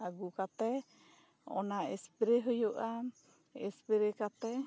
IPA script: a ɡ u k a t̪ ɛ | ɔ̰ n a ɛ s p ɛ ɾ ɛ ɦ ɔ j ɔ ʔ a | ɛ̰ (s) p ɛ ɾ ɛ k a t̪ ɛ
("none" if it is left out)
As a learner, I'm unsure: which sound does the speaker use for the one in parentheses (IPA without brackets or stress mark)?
s